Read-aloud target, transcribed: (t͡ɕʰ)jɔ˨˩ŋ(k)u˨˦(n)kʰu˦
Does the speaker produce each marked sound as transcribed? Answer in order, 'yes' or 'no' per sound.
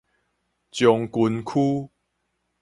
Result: no, yes, yes

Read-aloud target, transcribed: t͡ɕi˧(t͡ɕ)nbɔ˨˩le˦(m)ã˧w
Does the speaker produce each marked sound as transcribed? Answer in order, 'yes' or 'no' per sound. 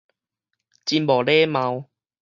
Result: no, yes

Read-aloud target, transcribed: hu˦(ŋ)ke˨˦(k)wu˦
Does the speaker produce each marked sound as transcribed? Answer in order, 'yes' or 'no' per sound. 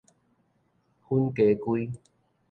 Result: no, yes

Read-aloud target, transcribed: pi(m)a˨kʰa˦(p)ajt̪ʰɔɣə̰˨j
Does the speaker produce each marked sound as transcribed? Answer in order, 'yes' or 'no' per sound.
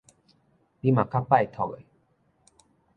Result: yes, yes

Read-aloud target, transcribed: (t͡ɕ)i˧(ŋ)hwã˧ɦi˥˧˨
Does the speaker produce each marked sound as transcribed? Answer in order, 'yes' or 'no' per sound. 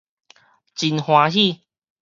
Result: yes, no

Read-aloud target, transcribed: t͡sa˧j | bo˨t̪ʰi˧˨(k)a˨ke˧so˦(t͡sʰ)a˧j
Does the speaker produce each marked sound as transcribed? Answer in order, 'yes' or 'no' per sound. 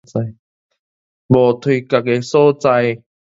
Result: yes, no

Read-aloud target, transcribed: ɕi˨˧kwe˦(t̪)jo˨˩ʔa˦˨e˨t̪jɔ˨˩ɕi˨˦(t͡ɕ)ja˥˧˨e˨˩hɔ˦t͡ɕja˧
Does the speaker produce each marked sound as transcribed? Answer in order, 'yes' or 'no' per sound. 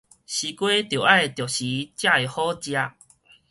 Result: yes, yes

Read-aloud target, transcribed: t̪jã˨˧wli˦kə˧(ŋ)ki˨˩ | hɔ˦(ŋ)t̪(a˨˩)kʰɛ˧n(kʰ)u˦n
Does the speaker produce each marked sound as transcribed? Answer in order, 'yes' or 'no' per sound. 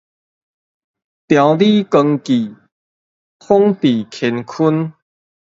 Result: yes, yes, no, yes

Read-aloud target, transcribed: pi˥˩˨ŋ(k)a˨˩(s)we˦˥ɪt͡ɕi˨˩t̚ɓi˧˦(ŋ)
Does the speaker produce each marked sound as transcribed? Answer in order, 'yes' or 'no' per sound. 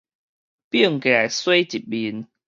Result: yes, yes, no

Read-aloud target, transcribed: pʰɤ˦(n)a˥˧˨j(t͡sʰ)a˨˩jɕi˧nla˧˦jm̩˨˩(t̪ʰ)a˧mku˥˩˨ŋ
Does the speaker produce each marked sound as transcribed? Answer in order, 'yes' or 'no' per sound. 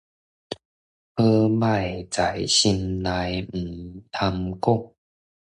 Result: no, no, yes

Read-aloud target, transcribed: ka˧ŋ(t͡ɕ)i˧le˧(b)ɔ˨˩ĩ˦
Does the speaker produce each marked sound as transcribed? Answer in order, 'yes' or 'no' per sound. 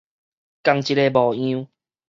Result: yes, yes

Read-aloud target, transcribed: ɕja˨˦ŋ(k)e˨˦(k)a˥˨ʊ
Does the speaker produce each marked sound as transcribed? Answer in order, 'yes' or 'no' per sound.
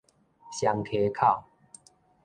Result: no, no

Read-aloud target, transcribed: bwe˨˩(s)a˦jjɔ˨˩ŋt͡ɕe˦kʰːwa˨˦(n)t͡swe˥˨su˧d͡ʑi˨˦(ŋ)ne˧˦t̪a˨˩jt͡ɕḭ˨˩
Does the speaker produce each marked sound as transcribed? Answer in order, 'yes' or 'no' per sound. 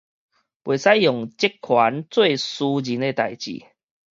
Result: yes, yes, no

